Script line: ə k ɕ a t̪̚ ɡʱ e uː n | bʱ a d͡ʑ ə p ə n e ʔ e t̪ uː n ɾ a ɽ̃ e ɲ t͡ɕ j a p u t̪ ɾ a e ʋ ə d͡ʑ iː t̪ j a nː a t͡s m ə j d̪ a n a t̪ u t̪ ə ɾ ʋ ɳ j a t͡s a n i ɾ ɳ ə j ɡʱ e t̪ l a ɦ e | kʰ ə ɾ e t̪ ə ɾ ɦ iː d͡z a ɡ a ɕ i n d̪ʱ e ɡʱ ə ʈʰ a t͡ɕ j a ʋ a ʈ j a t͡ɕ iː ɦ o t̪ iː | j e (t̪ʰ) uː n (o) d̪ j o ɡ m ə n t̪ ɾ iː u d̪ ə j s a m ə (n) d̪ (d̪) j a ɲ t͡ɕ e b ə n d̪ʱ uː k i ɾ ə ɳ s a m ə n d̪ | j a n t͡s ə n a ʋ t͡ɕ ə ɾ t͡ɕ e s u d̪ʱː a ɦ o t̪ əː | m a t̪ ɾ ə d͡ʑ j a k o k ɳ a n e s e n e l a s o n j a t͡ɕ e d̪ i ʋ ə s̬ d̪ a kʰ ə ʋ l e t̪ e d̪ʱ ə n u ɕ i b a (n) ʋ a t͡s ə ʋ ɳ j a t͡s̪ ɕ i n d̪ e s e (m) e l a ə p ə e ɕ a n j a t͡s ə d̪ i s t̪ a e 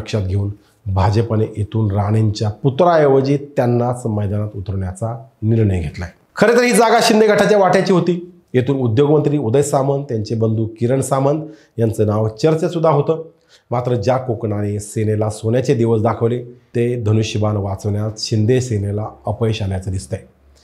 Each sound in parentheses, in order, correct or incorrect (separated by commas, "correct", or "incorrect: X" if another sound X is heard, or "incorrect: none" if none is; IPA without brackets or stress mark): incorrect: t̪, incorrect: u, correct, incorrect: t̪, correct, incorrect: n